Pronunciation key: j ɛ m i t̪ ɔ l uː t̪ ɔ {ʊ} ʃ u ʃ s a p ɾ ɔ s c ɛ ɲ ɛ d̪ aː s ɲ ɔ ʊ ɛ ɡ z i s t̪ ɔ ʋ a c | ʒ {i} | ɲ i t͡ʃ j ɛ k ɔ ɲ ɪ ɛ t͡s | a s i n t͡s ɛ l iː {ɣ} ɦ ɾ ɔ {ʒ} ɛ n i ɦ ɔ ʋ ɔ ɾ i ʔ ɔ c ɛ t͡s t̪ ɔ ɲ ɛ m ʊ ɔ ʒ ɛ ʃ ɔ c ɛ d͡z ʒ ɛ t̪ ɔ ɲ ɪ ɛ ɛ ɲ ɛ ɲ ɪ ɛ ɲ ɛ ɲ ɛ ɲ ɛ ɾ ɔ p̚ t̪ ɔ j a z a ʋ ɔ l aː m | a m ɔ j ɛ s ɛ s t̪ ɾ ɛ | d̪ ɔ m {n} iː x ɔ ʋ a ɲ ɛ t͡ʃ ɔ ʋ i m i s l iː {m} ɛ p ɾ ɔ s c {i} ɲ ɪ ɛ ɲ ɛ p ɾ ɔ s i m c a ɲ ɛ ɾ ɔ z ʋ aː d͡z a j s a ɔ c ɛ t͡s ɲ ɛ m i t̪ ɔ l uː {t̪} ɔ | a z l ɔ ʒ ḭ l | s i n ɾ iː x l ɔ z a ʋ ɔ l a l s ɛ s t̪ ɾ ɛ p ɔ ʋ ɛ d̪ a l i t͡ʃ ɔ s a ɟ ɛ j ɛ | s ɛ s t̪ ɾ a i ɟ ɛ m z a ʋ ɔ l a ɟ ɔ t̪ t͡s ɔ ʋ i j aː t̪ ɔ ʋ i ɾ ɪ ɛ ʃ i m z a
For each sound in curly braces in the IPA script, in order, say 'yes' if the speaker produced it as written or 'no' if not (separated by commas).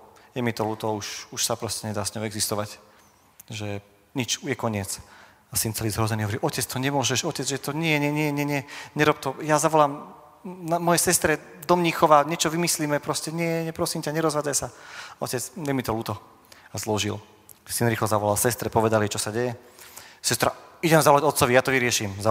no, no, no, no, no, yes, no, yes